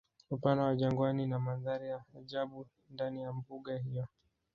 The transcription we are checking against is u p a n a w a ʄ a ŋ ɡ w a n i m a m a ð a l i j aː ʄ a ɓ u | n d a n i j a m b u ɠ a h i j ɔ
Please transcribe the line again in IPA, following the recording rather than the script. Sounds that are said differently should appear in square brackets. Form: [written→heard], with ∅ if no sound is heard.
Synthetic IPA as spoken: u p a n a w a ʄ a ŋ ɡ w a n i [m→n] a m a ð a [l→ɾ] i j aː ʄ a ɓ u | n d a n i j a m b u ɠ a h i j ɔ